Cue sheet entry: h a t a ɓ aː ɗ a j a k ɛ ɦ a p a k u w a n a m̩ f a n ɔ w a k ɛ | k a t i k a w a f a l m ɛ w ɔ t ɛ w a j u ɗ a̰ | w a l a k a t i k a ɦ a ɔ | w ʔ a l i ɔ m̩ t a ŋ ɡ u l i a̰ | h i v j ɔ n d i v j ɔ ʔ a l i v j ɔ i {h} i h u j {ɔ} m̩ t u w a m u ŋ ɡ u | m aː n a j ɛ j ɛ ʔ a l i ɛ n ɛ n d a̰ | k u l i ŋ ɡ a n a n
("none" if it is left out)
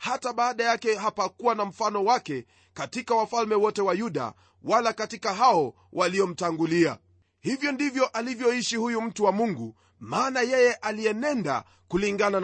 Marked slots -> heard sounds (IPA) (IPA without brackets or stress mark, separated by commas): ʃ, u